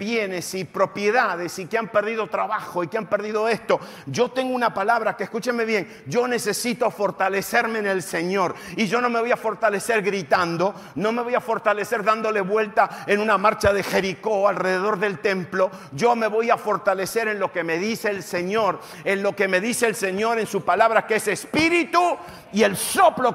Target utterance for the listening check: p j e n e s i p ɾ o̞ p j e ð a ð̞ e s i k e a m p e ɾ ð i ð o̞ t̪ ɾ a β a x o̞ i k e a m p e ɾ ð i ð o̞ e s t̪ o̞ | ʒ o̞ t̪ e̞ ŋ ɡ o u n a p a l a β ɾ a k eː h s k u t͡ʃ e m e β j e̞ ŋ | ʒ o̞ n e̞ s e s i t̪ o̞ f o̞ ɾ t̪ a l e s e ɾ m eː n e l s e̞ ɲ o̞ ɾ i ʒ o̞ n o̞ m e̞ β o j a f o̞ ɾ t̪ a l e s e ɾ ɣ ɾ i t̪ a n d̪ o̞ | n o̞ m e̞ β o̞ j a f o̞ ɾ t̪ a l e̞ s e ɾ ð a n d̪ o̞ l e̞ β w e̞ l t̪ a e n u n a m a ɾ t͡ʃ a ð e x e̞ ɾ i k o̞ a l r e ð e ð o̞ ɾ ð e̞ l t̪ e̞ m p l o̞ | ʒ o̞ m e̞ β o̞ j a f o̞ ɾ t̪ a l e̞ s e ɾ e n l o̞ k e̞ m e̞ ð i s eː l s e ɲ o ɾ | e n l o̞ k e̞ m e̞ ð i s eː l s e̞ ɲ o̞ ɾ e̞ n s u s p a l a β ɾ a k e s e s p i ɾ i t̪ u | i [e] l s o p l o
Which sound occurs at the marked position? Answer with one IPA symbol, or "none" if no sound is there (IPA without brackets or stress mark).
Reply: e